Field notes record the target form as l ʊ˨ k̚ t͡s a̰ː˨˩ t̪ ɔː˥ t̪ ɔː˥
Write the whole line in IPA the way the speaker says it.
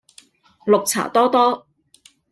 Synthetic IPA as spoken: l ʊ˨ k̚ t͡sʰ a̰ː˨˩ t̪ ɔː˥ t̪ ɔː˥